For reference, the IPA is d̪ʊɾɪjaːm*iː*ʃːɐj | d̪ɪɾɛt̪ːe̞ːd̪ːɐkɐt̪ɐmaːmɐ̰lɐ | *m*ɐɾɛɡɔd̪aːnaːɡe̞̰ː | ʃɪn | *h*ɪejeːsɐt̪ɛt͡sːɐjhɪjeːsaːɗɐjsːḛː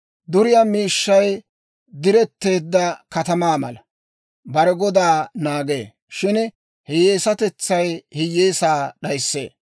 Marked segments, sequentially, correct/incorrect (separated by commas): correct, incorrect, correct